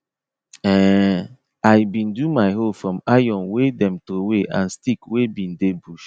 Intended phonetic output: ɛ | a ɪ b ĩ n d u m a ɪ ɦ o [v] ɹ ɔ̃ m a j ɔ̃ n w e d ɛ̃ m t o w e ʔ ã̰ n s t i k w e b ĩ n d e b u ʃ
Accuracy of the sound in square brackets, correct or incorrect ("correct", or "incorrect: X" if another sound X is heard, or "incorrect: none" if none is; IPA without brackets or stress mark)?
incorrect: f